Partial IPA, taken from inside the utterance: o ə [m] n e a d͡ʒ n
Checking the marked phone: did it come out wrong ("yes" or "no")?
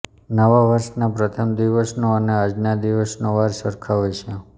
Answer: yes